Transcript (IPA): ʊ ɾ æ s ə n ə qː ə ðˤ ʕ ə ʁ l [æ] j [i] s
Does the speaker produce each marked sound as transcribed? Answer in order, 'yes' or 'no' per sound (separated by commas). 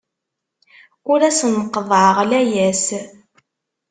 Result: yes, no